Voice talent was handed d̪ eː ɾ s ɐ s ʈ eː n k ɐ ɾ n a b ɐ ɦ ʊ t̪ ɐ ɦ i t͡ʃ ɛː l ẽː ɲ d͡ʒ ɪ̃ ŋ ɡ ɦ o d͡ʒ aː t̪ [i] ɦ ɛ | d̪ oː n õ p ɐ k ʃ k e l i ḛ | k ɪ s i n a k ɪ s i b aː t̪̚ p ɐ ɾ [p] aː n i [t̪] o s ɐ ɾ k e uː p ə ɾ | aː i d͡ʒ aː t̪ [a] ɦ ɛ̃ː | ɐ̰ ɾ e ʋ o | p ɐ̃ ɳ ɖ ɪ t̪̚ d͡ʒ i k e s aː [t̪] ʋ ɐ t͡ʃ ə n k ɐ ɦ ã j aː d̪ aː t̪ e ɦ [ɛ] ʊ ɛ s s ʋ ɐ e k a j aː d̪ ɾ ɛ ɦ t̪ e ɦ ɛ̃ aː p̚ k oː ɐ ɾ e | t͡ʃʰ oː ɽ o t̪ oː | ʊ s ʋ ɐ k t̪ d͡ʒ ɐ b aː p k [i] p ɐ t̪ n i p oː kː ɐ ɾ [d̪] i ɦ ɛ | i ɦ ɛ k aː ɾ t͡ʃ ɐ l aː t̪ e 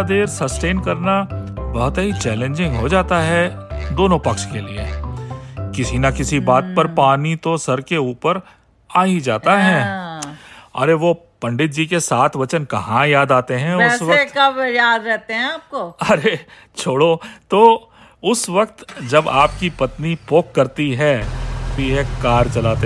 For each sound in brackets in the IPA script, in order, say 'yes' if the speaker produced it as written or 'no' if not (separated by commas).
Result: no, yes, yes, yes, no, no, yes, no